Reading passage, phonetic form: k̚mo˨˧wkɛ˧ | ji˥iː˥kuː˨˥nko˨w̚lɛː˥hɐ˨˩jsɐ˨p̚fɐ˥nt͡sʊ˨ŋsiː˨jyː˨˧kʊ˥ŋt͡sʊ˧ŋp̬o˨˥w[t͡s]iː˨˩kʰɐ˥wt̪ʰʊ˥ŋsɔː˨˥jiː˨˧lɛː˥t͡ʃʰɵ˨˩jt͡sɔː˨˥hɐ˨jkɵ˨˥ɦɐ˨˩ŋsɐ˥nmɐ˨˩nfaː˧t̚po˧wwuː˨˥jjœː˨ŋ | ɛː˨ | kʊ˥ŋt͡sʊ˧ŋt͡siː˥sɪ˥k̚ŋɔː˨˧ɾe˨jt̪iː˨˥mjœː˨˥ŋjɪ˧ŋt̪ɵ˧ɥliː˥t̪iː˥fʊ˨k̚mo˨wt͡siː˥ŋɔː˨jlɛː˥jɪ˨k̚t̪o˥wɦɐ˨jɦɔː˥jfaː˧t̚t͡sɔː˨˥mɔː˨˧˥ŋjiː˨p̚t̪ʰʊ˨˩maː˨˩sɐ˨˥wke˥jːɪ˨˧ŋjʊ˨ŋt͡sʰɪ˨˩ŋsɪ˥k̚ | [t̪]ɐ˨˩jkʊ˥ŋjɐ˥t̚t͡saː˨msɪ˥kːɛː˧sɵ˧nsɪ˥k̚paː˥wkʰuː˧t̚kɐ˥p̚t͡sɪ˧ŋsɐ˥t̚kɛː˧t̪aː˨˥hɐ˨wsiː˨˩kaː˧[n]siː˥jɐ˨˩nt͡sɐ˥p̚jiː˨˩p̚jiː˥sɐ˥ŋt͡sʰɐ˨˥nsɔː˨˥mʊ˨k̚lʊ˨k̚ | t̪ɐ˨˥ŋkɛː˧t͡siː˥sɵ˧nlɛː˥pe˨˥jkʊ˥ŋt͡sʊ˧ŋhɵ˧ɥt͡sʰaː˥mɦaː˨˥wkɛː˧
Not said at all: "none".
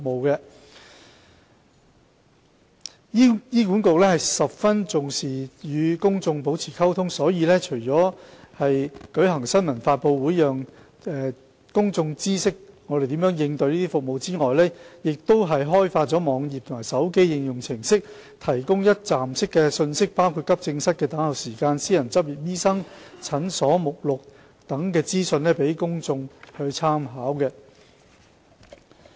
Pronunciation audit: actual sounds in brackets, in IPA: t͡sʰ, t̪ʰ, n

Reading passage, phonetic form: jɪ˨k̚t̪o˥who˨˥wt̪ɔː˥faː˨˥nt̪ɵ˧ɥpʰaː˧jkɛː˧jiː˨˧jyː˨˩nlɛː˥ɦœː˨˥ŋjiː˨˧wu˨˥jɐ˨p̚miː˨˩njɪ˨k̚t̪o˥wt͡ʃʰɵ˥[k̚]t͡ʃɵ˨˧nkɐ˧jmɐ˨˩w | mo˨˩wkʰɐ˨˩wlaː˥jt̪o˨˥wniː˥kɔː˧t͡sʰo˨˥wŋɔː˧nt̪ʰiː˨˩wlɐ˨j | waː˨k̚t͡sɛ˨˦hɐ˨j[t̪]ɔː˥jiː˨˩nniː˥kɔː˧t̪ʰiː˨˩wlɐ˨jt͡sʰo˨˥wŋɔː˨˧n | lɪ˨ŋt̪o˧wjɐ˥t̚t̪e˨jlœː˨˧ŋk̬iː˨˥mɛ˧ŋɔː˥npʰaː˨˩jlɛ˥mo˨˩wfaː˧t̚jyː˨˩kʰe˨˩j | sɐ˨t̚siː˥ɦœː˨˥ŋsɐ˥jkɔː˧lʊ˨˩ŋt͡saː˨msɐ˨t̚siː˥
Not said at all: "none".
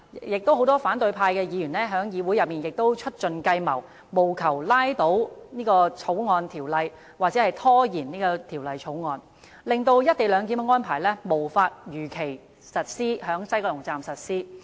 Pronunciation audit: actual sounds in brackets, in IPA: t̚, t̪ʰ

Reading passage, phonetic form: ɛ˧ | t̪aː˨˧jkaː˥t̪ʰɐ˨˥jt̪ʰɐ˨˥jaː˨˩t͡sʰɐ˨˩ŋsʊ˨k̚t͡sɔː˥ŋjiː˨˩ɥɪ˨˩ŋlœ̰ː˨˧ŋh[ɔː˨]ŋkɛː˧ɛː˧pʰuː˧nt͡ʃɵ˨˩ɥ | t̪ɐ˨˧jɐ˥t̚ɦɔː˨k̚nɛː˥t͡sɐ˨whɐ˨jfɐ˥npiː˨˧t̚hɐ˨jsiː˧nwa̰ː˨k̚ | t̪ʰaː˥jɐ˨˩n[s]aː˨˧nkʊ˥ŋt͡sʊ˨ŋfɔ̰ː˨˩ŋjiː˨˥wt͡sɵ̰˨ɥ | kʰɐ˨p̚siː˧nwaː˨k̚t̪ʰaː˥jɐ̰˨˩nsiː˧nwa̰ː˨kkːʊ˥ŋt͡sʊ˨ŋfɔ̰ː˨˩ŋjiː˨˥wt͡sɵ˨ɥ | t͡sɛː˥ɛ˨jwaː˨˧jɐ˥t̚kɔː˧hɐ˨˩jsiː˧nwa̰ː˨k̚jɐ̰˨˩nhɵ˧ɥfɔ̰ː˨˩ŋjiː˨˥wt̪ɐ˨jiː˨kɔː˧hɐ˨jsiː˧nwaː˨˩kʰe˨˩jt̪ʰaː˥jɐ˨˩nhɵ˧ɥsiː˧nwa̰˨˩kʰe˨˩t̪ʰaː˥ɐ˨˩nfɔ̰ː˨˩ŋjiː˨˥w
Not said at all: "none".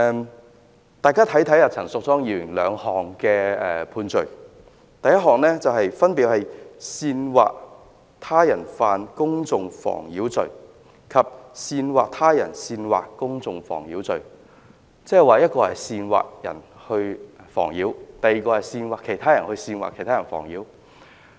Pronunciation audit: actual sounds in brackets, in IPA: ɔː˨, f

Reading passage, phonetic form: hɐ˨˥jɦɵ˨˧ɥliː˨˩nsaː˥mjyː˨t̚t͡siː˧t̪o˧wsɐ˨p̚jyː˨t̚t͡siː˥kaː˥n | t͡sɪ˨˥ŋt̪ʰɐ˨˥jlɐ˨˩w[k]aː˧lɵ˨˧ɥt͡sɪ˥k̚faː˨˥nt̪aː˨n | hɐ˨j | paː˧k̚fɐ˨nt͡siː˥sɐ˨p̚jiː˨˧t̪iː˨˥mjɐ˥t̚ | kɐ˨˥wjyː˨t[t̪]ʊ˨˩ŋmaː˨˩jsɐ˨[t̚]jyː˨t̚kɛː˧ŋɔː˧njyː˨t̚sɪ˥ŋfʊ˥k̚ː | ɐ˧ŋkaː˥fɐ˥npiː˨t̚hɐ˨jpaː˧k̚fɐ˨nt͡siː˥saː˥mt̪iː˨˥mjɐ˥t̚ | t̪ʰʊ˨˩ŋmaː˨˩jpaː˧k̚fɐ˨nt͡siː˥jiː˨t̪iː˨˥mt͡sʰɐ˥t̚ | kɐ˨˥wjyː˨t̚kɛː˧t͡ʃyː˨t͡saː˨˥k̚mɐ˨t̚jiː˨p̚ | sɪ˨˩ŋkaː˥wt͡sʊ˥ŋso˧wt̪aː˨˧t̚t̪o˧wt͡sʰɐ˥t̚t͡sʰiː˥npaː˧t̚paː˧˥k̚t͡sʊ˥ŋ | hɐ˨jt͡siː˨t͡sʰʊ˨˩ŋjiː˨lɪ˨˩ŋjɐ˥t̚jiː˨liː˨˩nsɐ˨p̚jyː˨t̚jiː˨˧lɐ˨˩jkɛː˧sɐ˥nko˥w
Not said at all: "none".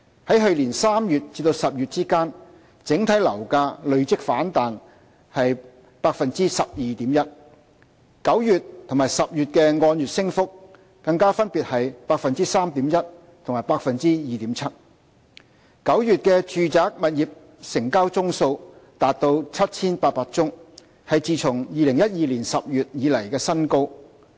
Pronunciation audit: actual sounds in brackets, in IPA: k, t̪ʰ, p̚

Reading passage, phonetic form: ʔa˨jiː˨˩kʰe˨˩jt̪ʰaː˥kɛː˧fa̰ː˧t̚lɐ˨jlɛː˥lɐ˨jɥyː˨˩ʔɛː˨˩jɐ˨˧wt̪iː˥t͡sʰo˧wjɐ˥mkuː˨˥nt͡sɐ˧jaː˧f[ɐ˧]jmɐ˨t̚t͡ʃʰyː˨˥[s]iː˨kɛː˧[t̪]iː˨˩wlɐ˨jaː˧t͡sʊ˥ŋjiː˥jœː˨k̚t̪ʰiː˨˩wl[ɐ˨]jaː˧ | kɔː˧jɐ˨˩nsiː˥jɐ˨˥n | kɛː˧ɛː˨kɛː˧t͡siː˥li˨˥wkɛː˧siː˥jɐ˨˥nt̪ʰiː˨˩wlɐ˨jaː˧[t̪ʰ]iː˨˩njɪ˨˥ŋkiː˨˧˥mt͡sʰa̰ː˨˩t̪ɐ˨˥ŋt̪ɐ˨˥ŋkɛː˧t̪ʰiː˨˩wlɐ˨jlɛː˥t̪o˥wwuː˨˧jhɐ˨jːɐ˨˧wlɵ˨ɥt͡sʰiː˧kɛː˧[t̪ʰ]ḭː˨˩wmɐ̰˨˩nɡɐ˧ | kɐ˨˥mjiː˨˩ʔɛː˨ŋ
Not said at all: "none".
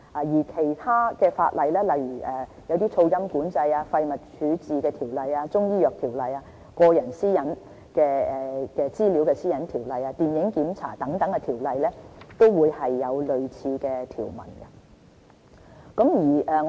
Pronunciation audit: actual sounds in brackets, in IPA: ɐ˧, t͡s, t̪ʰ, ɐ˨, t̪, t̪ʰ

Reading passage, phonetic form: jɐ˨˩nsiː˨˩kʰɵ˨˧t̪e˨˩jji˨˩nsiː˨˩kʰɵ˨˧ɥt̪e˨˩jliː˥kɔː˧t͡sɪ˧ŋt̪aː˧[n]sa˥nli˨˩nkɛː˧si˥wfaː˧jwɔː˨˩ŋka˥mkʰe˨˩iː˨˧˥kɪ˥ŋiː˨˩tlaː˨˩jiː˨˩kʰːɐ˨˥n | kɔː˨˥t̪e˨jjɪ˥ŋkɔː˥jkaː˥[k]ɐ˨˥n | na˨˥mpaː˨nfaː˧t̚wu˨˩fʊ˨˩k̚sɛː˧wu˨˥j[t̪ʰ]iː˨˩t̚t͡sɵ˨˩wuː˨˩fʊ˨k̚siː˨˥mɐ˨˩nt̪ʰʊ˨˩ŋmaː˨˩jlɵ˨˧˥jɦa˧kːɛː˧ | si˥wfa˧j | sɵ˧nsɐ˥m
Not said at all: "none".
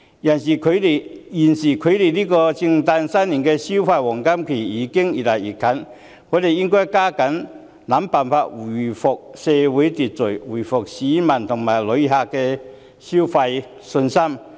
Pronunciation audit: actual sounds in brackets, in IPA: n, k, t̪

